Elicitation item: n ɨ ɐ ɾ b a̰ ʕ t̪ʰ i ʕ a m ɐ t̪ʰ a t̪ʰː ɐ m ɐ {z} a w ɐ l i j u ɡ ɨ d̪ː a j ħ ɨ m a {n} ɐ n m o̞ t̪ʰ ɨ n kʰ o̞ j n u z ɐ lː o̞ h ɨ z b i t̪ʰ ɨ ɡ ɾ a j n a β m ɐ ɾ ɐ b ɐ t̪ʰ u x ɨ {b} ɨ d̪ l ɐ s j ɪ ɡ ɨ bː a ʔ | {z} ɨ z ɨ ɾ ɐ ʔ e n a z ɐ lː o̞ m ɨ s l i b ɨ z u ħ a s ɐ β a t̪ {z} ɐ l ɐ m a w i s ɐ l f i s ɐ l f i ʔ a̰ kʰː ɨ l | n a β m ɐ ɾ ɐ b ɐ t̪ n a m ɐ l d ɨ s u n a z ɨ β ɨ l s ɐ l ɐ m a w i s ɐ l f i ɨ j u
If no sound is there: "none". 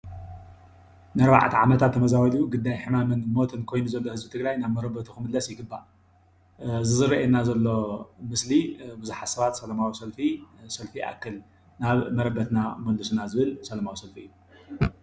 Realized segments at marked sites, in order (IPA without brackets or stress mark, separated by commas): z, m, m, z, s